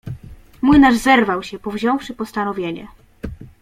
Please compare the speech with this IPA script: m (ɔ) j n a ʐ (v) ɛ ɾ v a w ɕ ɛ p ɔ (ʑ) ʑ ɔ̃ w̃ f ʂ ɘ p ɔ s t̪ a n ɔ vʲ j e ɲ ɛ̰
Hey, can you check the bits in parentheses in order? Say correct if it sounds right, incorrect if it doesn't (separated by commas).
incorrect, incorrect, incorrect